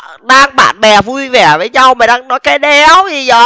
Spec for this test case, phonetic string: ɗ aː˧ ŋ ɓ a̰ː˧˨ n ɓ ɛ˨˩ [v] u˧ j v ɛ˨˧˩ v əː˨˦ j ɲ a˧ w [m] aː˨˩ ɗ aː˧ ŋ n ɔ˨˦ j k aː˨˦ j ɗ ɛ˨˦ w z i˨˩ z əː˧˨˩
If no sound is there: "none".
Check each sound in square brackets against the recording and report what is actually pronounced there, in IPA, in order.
v, m

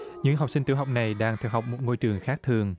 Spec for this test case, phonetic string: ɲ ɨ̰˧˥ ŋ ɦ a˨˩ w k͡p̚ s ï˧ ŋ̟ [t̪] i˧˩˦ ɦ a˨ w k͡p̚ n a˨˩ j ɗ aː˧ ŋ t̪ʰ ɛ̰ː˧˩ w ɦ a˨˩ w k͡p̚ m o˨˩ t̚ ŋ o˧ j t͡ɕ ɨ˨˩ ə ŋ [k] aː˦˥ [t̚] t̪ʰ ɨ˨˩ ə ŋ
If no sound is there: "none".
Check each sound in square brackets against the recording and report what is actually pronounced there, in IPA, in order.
t̪, x, k̚

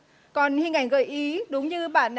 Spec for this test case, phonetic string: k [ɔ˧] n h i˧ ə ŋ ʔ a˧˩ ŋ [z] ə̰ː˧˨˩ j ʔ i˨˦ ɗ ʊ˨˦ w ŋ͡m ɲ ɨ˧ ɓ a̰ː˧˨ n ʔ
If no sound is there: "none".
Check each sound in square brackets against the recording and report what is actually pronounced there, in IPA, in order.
ɔ˨˩, ɣ

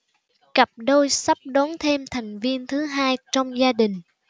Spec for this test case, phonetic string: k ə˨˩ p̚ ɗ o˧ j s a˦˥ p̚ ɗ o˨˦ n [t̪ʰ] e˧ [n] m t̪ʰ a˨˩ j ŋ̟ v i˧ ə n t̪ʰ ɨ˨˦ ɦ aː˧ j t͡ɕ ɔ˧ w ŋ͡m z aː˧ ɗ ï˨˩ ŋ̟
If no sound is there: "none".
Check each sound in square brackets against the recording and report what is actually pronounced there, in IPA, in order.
t̪ʰ, none

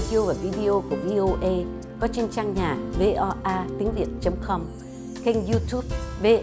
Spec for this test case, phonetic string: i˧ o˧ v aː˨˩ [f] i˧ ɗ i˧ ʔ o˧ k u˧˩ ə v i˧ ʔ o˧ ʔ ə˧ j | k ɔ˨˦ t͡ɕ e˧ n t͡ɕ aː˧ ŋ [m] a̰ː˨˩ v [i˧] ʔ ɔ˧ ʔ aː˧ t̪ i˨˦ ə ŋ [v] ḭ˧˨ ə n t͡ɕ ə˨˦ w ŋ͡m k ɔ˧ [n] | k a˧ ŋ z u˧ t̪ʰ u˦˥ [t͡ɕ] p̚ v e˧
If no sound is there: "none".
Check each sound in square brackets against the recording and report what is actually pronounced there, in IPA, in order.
v, ɲ, e˧, v, m, none

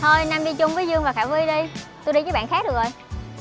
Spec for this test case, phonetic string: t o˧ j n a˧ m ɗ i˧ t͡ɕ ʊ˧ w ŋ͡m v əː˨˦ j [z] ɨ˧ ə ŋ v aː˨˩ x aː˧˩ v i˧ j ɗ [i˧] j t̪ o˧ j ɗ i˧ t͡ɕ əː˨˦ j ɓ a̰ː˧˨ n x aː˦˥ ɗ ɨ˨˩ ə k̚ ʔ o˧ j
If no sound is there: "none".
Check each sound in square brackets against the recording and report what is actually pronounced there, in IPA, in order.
z, i˧

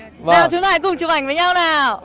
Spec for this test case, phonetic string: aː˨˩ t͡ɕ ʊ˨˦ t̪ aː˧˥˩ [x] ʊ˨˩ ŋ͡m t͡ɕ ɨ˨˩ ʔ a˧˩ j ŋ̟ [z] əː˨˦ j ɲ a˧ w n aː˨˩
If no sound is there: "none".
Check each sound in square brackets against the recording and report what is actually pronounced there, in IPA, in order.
k, v

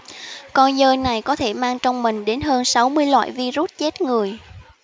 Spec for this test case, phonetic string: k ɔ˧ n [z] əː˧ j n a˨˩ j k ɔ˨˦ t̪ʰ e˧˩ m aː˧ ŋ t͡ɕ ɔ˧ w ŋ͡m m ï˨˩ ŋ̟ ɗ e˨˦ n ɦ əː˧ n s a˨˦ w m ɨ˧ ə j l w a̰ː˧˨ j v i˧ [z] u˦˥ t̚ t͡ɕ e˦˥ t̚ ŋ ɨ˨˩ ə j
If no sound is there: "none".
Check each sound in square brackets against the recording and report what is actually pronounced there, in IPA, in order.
z, z

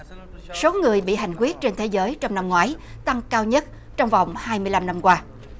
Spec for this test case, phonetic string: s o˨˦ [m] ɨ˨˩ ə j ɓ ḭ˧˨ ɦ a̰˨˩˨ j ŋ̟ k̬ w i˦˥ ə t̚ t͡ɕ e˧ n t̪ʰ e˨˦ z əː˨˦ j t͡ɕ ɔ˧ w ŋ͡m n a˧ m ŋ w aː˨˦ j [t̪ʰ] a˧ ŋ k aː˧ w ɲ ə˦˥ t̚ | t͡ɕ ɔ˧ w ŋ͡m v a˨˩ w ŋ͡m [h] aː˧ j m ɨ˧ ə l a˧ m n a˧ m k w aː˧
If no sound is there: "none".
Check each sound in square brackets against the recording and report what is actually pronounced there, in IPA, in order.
ŋ, t̪, h

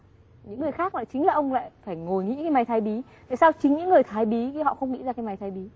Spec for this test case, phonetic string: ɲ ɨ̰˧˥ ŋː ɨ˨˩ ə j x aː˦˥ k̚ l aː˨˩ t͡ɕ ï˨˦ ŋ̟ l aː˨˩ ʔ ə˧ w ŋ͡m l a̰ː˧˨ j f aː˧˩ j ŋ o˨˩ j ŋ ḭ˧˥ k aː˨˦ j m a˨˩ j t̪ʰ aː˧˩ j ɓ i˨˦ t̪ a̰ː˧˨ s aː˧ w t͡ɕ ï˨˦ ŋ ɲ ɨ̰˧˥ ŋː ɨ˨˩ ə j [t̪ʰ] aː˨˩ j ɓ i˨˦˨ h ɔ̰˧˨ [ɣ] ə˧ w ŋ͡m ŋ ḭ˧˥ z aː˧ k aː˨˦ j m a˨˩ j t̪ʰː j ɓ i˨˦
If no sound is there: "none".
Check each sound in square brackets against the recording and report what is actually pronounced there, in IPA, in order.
t̪ʰ, x

